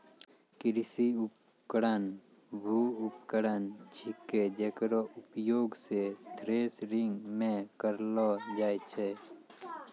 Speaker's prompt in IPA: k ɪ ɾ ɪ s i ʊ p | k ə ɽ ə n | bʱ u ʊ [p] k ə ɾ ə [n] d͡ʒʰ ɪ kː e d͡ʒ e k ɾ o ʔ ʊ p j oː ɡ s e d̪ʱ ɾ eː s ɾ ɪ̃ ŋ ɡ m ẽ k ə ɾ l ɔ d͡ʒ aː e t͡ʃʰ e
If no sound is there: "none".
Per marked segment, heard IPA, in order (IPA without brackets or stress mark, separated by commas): p, n